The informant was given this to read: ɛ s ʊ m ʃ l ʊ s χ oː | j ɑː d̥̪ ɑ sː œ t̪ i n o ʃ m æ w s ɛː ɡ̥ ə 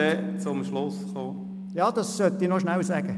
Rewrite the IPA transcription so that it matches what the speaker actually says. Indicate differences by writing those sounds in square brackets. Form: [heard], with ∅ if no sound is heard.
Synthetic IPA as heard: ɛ [t͡s] ʊ m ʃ l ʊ s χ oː | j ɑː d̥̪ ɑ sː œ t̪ i n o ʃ [n] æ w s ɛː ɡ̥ ə